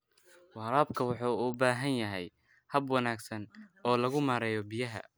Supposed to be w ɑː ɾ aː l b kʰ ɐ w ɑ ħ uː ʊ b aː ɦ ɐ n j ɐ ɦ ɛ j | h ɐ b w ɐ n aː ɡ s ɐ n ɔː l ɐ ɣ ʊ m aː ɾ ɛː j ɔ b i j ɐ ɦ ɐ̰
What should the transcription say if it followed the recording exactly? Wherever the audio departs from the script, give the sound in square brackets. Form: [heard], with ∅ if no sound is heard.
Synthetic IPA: w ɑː ɾ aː [∅] b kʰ ɐ w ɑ ħ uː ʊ b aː ɦ ɐ n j ɐ ɦ ɛ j | h ɐ b w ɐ n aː ɡ s ɐ n ɔː l ɐ ɣ ʊ m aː ɾ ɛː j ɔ b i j ɐ ɦ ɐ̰